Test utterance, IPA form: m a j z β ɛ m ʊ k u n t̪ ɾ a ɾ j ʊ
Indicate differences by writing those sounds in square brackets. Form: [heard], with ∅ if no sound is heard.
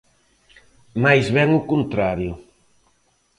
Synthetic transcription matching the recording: m a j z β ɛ [ŋ] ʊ k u n t̪ ɾ a ɾ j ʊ